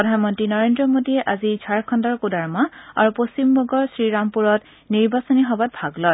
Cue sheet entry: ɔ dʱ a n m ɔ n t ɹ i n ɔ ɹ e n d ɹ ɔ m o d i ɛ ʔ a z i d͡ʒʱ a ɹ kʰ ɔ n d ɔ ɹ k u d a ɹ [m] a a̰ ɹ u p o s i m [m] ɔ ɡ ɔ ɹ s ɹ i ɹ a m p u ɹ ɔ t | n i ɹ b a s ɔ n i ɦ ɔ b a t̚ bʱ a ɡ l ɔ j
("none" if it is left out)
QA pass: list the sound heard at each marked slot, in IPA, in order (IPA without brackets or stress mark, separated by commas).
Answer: m, b